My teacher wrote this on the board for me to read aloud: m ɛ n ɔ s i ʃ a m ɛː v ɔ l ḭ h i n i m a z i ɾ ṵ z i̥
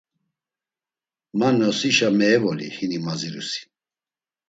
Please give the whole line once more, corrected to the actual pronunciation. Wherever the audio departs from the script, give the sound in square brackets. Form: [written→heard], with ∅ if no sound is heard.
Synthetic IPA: m [ɛ→a] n ɔ s i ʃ a m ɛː v ɔ l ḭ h i n i m a z i ɾ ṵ [z→s] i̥